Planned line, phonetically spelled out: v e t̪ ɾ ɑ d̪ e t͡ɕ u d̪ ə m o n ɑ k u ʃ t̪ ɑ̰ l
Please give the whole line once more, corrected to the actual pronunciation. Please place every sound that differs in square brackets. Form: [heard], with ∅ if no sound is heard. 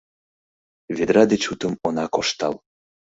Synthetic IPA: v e [d̪] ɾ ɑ d̪ e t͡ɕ u [t̪] ə m o n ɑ k [o] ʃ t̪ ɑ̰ l